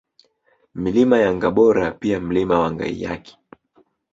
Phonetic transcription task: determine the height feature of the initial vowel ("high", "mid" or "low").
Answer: high